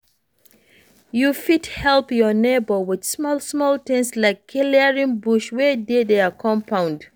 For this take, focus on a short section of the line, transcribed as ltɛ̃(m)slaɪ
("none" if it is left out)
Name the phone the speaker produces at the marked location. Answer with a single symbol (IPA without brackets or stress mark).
n